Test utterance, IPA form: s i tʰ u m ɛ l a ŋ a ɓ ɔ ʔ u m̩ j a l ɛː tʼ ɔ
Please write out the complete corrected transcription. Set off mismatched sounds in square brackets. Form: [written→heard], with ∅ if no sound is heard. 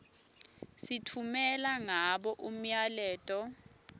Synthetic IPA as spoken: s i tʰ u m ɛ l a ŋ a ɓ ɔ ʔ u m̩ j a l ɛː tʼ ɔ